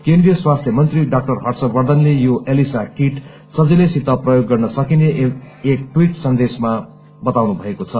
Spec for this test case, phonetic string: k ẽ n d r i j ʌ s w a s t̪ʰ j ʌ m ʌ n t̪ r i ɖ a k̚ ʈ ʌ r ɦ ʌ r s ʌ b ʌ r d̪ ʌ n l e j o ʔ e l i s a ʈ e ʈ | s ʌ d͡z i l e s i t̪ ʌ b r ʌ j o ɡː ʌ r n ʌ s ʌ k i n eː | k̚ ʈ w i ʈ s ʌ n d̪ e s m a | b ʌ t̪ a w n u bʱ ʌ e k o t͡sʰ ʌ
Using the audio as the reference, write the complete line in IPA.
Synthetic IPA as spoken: k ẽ n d r i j ʌ s w a s t̪ʰ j ʌ m ʌ n t̪ r i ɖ a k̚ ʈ ʌ r ɦ ʌ r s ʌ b ʌ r d̪ ʌ n l e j o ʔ e l i s a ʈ i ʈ | s ʌ d͡z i l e s i t̪ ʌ p r ʌ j o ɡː ʌ r n ʌ s ʌ k i n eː | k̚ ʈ w i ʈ s ʌ n d̪ e s m a | b ʌ t̪ a w n u bʱ ʌ e k o t͡sʰ ʌ

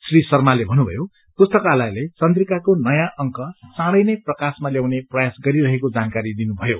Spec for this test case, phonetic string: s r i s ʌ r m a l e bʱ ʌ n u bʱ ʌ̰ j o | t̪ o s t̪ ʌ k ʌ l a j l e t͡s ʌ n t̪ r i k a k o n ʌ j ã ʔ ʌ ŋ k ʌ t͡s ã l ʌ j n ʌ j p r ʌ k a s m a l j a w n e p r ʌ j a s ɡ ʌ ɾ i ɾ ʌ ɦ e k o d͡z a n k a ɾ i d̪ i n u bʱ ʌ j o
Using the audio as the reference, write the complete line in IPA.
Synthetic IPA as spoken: s r i s ʌ r m a l e bʱ ʌ n u bʱ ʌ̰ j o | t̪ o s t̪ ʌ k a l a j l e t͡s ʌ n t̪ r i k a k o n ʌ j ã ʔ ʌ ŋ k ʌ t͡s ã ɽ ʌ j n ʌ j p r ʌ k a s m a l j a w n e p r ʌ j a s ɡ ʌ ɾ i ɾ ʌ ɦ e k o d͡z a n k a ɾ i d̪ i n u bʱ ʌ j o

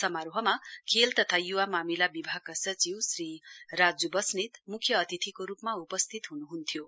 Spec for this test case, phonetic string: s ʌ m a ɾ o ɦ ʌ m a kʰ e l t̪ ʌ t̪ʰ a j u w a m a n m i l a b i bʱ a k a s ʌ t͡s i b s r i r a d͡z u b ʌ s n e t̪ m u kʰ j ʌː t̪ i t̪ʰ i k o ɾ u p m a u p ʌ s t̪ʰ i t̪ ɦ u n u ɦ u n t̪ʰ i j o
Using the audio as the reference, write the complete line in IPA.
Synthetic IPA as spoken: s ʌ m a ɾ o ɦ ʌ m a kʰ e l t̪ ʌ t̪ʰ a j u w a m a m i l a b i bʱ a k a s ʌ t͡s i w s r i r a d͡z u b ʌ s n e t̪ m u kʰ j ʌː t̪ i t̪ʰ i k o ɾ u p m a u p ʌ s t̪ʰ i t̪ ɦ u n u ɦ u n t̪ʰ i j o

